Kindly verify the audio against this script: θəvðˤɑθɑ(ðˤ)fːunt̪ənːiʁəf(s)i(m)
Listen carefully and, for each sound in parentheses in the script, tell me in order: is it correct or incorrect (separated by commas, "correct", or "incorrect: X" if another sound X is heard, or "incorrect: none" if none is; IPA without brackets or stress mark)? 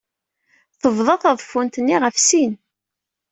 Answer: correct, correct, incorrect: n